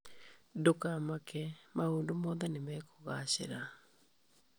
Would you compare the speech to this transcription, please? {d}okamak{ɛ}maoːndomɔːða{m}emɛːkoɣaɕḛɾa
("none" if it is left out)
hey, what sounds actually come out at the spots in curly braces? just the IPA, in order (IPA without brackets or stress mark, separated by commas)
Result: d, ɛ, n